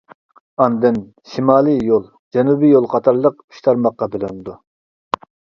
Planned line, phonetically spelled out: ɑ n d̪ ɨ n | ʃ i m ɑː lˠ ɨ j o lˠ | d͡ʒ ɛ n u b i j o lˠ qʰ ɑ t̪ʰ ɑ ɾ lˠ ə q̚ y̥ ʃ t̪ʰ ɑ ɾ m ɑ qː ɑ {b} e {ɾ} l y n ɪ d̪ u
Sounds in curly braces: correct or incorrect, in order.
correct, incorrect: none

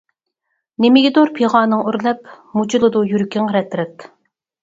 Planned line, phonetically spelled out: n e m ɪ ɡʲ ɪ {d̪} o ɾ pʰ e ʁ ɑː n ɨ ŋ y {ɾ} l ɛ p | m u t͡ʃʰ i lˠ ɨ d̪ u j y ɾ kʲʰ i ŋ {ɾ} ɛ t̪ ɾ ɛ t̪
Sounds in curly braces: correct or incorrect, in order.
correct, correct, correct

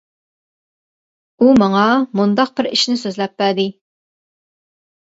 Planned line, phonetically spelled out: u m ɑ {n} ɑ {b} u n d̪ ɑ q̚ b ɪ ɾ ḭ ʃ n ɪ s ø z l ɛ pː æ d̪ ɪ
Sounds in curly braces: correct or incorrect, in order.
incorrect: ŋ, incorrect: m

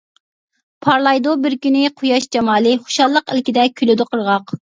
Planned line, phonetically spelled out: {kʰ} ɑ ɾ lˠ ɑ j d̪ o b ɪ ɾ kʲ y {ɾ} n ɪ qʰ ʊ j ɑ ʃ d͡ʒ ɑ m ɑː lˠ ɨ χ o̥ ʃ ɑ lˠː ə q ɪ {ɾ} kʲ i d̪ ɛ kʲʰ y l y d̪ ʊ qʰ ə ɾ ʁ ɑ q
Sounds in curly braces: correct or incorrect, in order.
incorrect: pʰ, incorrect: none, incorrect: l

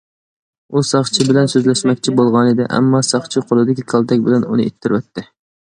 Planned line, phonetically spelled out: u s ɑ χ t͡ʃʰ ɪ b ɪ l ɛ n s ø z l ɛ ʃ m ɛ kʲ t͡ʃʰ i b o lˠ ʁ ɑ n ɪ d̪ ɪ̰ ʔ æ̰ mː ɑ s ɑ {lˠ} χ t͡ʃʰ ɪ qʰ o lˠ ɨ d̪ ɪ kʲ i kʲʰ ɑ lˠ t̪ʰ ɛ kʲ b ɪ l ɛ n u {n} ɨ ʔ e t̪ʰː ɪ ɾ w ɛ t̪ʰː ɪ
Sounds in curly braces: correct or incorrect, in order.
incorrect: none, correct

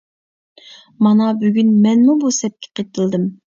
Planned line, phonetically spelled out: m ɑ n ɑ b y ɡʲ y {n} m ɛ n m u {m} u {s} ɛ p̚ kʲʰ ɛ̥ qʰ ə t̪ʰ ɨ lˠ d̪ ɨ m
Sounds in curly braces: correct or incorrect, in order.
correct, incorrect: b, correct

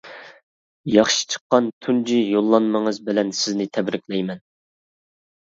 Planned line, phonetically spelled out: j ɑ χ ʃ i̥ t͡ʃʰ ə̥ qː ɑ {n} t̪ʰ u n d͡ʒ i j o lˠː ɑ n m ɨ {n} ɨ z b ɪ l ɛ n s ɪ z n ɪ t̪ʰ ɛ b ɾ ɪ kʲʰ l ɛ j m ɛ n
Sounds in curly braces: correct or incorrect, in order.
correct, incorrect: ŋ

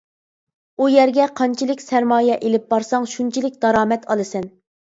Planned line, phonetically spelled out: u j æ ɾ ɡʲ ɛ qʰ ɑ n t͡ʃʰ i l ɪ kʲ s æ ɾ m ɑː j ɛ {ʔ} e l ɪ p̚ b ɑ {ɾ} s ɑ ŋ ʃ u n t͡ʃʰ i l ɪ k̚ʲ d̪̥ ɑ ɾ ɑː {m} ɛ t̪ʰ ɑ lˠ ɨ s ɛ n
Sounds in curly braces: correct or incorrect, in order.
correct, correct, correct

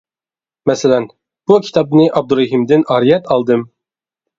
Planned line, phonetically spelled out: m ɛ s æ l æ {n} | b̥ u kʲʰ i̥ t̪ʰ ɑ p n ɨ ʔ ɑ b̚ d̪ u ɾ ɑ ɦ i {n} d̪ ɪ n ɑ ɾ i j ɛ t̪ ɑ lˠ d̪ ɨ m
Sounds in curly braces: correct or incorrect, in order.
correct, incorrect: m

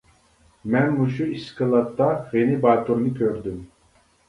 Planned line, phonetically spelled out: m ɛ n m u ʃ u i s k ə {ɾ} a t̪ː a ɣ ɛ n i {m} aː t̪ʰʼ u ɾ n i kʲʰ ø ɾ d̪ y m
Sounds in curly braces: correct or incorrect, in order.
incorrect: l, incorrect: b

